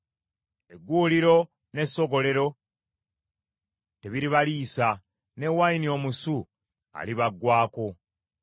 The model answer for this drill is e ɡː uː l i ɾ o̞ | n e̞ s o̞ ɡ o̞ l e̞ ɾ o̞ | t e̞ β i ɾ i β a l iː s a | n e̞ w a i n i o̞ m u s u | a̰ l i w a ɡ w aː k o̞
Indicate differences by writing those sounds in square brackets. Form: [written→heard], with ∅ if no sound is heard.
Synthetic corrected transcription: e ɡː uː l i ɾ o̞ | n e̞ s o̞ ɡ o̞ l e̞ ɾ o̞ | t e̞ β i ɾ i β a l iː s a | n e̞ w a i n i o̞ m u s u | a̰ l i [w→β] a ɡ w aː k o̞

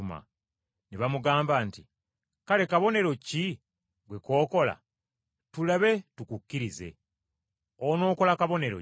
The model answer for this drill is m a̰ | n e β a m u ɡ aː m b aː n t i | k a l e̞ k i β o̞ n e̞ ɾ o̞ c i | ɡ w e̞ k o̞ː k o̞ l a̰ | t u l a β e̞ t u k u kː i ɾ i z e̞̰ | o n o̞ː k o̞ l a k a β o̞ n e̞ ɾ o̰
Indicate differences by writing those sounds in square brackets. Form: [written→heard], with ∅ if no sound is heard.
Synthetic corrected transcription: m a̰ | n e β a m u ɡ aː m b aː n t i | k a l e̞ k [i→a] β o̞ n e̞ ɾ o̞ c i | ɡ w e̞ k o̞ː k o̞ l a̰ | t u l a β e̞ t u k u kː i ɾ i z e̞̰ | o n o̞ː k o̞ l a k a β o̞ n e̞ ɾ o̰

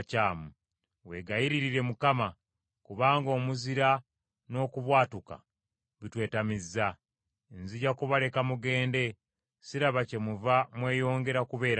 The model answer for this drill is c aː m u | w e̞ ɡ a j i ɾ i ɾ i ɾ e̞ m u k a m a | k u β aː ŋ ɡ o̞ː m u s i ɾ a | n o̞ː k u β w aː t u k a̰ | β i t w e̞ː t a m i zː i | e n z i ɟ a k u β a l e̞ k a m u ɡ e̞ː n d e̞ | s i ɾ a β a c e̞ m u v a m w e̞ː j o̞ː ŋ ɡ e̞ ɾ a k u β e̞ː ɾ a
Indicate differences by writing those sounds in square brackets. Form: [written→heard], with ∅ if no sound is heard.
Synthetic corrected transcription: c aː m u | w e̞ ɡ a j i ɾ i ɾ i ɾ e̞ m u k a m a | k u β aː ŋ ɡ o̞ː m u [s→z] i ɾ a | n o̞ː k u β w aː t u k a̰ | β i t w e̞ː t a m i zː [i→a] | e n z i ɟ a k u β a l e̞ k a m u ɡ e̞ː n d e̞ | s i ɾ a β a c e̞ m u v a m w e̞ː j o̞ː ŋ ɡ e̞ ɾ a k u β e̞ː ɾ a

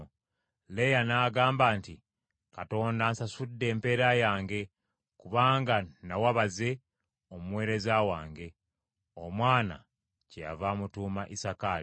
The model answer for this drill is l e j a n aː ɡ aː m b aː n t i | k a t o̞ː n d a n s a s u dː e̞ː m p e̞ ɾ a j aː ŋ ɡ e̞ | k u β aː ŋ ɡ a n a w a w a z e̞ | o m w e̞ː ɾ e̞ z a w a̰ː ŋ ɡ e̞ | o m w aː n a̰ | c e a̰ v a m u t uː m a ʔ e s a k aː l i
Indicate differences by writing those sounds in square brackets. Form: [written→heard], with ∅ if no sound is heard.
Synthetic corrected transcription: l e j a n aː ɡ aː m b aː n t i | k a t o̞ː n d a n s a s u dː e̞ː m p e̞ ɾ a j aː ŋ ɡ e̞ | k u β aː ŋ ɡ a n a w a [w→β] a z e̞ | o m w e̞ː ɾ e̞ z a w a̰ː ŋ ɡ e̞ | o m w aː n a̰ | c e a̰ v a m u t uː m a ʔ [e→i] s a k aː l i

